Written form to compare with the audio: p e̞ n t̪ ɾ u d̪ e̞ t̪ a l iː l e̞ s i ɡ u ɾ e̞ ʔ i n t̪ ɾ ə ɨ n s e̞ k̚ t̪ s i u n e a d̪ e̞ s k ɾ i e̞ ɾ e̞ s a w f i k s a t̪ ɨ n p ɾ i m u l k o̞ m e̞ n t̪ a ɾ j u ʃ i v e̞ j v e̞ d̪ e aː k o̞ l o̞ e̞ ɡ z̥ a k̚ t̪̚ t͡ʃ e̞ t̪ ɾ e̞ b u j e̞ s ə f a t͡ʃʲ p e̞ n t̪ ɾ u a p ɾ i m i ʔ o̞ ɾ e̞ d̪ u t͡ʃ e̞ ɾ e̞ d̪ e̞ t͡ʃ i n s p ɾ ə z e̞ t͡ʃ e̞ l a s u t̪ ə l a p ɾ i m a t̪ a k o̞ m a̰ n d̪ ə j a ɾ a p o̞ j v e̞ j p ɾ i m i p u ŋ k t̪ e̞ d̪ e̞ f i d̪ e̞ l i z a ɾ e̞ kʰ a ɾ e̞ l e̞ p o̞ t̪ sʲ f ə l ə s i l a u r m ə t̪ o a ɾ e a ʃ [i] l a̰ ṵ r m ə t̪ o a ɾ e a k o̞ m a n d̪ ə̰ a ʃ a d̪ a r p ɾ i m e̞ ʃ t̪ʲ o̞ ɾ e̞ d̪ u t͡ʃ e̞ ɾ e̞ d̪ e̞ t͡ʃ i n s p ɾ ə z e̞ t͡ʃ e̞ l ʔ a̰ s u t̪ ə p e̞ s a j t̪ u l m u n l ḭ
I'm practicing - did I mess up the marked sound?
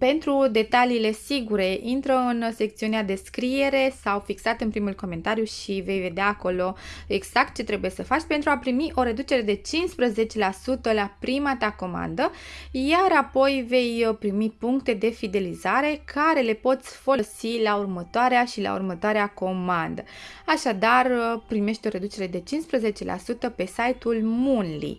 no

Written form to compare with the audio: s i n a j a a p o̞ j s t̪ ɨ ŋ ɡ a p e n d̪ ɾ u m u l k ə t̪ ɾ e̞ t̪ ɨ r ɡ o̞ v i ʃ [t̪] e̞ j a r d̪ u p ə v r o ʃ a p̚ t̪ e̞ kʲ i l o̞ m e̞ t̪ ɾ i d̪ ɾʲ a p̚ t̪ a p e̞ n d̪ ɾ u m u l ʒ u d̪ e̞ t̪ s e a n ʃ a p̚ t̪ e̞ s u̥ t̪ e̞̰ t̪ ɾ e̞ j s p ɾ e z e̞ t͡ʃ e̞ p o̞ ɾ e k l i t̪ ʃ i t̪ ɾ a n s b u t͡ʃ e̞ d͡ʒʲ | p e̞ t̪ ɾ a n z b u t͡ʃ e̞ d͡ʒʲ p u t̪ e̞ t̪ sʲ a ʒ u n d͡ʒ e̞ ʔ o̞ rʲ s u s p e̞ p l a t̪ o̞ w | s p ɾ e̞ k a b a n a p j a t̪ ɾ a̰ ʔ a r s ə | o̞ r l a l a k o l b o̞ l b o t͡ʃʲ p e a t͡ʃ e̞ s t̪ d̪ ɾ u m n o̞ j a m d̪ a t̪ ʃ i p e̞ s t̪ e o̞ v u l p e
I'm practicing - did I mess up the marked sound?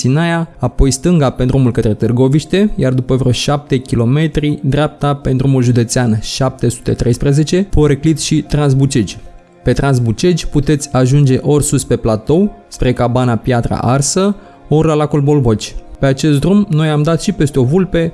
no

